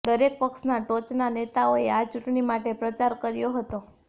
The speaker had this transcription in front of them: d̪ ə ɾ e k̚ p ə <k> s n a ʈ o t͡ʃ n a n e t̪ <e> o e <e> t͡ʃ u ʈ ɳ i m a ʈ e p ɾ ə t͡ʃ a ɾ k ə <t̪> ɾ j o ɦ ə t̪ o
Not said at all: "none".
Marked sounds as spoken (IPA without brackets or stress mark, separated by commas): k, a, a, none